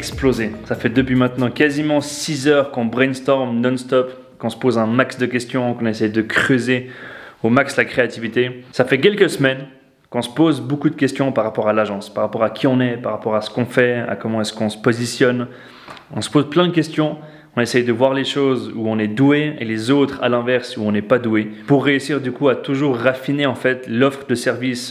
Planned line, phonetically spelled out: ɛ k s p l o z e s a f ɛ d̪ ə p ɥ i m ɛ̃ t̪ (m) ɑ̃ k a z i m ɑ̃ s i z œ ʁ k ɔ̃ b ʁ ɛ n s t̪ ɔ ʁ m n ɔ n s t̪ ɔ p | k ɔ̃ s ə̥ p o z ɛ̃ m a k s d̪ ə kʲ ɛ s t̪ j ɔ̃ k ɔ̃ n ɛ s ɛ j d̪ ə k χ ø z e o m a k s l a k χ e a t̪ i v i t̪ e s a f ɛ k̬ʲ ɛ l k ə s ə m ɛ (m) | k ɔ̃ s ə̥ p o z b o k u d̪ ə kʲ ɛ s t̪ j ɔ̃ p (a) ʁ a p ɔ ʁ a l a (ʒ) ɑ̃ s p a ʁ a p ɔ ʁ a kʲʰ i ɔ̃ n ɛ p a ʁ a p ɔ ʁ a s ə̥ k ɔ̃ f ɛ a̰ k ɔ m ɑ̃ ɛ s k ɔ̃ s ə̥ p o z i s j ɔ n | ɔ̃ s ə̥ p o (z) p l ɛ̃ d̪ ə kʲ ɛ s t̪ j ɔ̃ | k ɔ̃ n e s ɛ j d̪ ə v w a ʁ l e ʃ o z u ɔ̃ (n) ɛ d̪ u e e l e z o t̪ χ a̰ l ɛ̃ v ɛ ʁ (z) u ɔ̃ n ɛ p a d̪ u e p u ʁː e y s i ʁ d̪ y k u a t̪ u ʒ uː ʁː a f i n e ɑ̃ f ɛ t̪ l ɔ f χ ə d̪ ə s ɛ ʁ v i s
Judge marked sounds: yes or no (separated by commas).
no, no, yes, yes, yes, yes, no